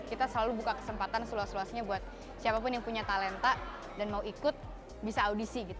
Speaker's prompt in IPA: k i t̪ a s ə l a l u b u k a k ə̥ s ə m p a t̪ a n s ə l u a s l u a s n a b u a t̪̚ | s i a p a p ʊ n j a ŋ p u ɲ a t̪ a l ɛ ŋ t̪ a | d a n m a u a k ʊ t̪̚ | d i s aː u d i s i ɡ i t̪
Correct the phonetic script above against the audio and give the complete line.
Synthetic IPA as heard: k i t̪ a s ə l a l u b u k a k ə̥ s ə m p a t̪ a n s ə l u a s l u a s ɲ a b u a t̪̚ | s i a p a p ʊ n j a ŋ p u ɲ a t̪ a l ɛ n t̪ a | d a n m a u i k ʊ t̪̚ | b i s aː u d i s i ɡ i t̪